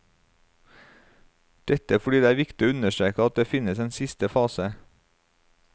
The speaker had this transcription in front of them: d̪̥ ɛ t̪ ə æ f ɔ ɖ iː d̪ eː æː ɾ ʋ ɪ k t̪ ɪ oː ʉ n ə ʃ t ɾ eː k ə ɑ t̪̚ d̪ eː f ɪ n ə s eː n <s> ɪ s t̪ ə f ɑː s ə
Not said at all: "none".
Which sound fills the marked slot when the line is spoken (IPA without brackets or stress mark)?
s